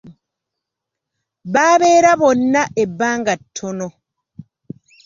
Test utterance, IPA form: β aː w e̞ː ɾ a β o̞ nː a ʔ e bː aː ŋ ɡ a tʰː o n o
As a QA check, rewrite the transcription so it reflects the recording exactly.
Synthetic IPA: β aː β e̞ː ɾ a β o̞ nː a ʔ e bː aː ŋ ɡ a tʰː o n o